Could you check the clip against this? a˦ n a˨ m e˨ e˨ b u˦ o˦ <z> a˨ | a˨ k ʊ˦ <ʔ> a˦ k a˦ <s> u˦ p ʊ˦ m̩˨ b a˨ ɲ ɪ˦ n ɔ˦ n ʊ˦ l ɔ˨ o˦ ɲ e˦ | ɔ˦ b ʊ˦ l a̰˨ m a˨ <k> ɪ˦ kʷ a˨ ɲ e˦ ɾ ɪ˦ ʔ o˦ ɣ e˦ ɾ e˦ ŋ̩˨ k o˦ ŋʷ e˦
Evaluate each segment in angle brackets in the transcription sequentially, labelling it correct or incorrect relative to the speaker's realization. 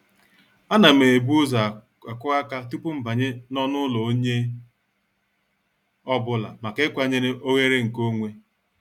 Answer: correct, incorrect, incorrect, correct

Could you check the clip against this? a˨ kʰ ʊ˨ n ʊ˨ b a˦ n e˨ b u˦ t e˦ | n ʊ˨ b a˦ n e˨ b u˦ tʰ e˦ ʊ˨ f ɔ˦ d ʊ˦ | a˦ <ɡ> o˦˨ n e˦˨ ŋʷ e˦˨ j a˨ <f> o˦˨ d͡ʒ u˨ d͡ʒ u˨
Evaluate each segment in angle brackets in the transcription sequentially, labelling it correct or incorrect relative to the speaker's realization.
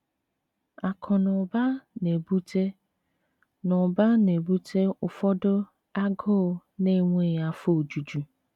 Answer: correct, correct

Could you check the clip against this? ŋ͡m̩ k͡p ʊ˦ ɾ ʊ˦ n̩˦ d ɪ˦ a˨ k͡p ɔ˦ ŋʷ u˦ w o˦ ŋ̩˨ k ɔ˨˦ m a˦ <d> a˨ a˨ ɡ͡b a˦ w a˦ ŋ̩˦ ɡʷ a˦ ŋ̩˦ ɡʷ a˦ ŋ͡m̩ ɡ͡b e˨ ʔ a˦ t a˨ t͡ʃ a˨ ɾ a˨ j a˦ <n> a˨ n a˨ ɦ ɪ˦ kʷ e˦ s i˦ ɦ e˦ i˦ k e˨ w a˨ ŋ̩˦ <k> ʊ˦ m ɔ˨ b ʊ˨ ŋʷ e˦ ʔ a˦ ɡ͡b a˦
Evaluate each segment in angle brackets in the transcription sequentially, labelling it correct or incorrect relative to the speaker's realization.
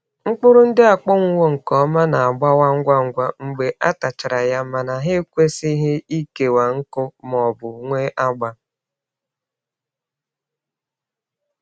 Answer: incorrect, incorrect, correct

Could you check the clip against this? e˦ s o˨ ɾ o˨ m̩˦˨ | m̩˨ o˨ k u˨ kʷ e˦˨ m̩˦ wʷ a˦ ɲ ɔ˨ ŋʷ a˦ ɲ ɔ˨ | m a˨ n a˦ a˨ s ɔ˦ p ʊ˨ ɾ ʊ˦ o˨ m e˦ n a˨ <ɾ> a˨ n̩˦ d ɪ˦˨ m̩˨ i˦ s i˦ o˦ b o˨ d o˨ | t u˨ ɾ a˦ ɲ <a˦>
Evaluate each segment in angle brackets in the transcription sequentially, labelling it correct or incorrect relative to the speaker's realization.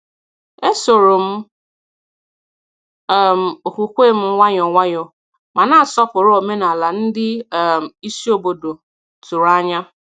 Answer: incorrect, correct

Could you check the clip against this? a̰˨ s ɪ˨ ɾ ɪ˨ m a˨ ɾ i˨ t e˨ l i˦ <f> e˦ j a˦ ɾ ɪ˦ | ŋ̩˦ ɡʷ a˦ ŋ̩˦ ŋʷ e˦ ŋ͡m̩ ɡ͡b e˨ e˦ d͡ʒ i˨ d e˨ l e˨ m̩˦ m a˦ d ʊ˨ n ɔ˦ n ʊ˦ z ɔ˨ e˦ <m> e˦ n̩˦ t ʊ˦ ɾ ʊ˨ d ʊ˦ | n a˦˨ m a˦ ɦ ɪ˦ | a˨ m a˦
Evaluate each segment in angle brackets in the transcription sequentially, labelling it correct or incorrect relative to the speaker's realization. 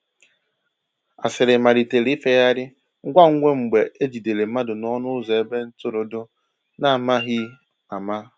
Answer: correct, incorrect

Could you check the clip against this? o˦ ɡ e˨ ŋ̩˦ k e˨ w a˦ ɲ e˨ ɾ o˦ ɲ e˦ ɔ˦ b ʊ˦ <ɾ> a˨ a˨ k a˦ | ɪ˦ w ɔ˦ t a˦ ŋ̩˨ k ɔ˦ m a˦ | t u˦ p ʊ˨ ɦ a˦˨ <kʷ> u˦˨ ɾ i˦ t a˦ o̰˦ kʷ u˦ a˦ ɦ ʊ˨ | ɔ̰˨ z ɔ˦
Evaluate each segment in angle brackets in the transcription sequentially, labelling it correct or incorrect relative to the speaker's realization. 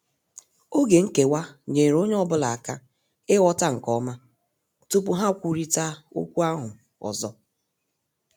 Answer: incorrect, correct

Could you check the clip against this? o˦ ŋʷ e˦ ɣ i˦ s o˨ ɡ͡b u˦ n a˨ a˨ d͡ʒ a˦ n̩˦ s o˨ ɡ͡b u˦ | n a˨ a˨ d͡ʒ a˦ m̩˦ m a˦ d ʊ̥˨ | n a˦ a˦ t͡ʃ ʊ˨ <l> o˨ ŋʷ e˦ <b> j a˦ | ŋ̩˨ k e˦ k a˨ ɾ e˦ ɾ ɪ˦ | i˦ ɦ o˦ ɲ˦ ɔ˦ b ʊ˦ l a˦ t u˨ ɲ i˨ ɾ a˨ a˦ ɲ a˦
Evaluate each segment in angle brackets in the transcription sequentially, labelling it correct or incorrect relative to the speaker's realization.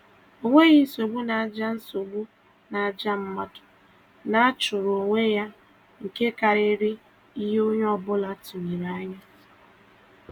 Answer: incorrect, incorrect

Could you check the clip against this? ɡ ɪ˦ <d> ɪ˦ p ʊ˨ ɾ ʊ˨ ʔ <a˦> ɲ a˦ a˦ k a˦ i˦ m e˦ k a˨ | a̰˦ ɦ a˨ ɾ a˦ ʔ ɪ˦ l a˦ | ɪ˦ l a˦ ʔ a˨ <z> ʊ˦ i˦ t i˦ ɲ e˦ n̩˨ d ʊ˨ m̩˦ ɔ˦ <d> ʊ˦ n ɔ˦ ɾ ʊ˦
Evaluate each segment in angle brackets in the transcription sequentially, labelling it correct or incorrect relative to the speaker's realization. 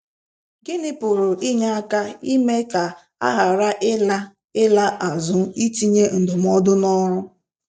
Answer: incorrect, incorrect, correct, correct

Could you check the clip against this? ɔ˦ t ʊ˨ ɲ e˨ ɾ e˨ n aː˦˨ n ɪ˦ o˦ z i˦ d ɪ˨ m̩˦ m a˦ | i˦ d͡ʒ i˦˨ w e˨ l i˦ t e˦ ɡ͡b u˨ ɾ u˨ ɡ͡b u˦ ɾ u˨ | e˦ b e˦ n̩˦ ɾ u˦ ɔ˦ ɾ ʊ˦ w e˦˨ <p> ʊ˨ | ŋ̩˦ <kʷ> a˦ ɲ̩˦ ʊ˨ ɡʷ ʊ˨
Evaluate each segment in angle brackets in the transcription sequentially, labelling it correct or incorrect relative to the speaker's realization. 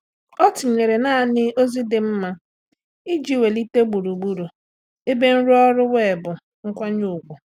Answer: incorrect, correct

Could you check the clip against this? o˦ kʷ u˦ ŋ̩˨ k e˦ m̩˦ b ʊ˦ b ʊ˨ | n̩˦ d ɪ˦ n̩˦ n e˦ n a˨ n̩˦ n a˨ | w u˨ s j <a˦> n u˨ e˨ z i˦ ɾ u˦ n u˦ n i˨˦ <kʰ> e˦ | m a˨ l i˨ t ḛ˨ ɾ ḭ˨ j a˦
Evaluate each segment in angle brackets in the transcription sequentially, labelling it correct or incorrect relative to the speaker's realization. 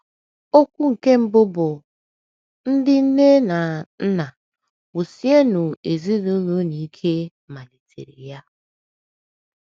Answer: incorrect, correct

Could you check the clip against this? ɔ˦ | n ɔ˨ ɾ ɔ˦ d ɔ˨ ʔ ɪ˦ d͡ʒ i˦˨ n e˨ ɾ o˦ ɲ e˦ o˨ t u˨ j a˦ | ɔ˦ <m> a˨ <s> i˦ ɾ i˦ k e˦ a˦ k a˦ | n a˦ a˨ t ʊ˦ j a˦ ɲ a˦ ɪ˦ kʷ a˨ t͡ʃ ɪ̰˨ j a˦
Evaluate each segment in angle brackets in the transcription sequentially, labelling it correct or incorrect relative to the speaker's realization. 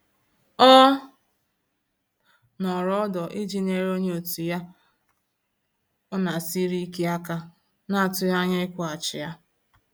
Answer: incorrect, correct

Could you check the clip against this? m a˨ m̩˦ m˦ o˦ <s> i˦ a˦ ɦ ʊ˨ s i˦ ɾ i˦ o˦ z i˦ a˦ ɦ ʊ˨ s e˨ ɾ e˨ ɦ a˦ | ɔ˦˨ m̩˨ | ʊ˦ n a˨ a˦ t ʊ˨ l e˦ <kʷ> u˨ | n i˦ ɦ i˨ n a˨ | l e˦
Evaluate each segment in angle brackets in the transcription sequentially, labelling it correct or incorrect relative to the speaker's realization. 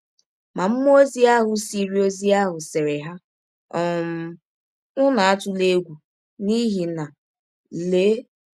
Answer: incorrect, incorrect

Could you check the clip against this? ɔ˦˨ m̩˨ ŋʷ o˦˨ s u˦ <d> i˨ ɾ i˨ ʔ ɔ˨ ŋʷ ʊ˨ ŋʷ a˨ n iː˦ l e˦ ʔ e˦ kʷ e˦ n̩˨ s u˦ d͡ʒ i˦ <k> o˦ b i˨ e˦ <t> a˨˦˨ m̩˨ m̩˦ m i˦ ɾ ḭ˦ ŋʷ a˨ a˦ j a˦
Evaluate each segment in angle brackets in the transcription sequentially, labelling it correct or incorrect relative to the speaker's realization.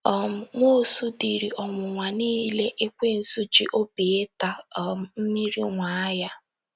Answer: correct, incorrect, correct

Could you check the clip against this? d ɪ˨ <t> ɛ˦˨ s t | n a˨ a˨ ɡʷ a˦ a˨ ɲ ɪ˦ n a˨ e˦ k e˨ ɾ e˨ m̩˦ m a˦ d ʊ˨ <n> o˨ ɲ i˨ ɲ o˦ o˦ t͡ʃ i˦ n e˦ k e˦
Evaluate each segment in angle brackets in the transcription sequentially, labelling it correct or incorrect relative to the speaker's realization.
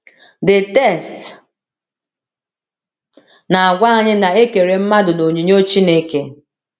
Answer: correct, correct

